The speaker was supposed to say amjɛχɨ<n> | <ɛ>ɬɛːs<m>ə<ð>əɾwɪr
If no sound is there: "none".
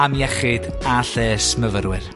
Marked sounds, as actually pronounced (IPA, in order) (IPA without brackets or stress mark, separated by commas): d, a, m, v